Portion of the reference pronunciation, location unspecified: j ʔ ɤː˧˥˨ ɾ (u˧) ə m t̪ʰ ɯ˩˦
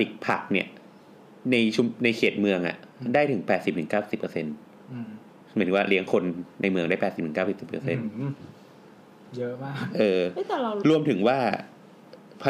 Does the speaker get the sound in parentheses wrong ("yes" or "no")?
no